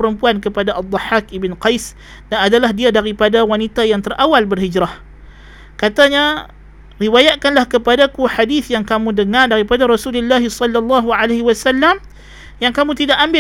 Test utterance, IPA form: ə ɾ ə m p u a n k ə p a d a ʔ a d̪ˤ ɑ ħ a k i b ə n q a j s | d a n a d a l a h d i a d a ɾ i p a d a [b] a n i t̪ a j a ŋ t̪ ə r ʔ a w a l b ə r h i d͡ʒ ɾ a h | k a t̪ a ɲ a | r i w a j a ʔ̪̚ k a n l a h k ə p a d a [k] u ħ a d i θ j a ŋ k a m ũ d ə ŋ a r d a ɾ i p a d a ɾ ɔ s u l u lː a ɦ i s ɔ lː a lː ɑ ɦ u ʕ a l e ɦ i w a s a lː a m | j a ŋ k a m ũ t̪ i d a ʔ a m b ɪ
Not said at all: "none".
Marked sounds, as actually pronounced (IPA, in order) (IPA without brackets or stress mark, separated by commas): w, k